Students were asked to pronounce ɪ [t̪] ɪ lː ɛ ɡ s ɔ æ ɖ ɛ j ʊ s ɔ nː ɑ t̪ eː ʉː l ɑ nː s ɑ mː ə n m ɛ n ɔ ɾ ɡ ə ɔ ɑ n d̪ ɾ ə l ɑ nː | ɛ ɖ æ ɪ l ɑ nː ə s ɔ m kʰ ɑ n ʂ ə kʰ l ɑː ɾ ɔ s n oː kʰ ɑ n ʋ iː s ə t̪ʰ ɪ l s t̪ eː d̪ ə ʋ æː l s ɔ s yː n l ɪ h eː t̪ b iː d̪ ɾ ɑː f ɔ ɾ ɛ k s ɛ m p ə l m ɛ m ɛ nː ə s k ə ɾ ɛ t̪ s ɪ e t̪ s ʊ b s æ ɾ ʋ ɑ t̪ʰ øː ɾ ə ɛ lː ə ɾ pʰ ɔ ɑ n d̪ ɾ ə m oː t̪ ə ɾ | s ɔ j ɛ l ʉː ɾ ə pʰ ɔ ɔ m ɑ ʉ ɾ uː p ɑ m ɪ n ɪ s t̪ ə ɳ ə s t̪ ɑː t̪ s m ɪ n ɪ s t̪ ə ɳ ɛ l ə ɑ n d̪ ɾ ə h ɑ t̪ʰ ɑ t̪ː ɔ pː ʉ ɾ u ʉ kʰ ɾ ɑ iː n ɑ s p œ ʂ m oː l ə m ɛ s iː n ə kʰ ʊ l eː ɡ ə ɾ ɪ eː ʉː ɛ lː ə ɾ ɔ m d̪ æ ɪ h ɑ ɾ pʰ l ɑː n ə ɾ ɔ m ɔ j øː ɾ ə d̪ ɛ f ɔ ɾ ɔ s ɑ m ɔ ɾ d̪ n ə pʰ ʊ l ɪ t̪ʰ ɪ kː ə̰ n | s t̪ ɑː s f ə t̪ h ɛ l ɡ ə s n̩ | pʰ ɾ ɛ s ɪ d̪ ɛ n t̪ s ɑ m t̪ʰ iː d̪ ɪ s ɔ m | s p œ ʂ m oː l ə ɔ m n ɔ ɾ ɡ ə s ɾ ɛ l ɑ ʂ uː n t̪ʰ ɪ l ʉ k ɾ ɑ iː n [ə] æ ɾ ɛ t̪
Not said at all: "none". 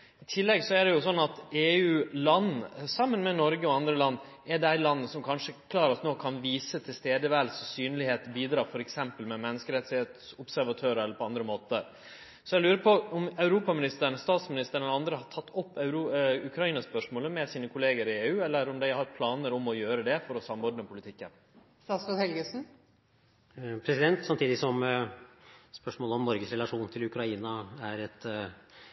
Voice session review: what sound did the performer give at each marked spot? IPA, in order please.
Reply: t̪ʰ, ɑ

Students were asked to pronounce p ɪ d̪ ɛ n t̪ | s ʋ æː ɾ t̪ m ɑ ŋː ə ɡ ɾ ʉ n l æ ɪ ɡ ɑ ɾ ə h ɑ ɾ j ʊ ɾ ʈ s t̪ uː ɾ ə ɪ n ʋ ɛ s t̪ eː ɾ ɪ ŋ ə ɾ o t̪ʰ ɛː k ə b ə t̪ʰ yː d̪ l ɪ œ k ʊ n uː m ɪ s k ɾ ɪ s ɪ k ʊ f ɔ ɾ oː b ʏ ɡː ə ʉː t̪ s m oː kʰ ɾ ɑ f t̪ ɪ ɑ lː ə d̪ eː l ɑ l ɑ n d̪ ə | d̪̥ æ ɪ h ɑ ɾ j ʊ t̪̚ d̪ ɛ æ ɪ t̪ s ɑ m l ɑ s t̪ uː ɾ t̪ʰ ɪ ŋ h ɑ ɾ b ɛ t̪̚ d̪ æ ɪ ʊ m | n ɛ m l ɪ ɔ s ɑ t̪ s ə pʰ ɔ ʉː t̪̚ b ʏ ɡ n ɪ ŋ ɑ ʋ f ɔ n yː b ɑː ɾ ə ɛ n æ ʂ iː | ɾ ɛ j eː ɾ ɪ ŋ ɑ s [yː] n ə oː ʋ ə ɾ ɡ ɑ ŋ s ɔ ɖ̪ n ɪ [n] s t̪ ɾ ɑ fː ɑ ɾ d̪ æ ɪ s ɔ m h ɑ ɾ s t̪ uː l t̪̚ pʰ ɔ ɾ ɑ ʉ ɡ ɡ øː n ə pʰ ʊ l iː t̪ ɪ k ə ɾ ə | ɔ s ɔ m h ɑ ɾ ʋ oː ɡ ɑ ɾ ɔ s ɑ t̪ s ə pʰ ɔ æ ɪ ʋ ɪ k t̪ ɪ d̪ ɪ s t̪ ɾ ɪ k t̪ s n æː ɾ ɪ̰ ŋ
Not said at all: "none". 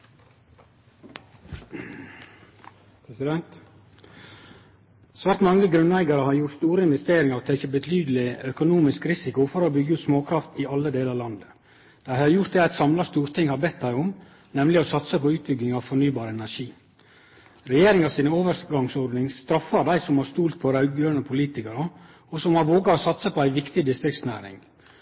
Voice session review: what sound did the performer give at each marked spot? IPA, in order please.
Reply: iː, ŋ

